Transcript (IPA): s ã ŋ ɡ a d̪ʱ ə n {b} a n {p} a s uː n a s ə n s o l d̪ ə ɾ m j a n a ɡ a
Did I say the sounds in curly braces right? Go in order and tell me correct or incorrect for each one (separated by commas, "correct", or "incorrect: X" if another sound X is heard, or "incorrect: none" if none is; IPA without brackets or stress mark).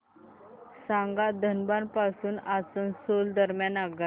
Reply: correct, correct